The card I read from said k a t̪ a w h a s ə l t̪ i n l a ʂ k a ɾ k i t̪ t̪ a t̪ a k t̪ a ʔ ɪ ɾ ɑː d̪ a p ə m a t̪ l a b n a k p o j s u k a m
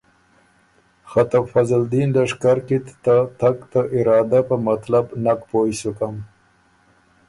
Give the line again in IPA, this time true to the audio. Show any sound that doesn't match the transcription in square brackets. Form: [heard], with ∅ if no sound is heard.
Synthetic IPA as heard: [x] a t̪ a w [f] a [z] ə l [d̪] i n l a ʂ k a ɾ k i t̪ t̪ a t̪ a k t̪ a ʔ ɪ ɾ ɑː d̪ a p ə m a t̪ l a b n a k p o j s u k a m